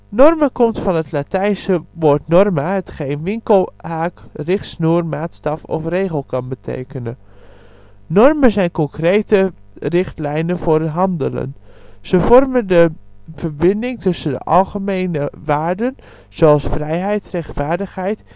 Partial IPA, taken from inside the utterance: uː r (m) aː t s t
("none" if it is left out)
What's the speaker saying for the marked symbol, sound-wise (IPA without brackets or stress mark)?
m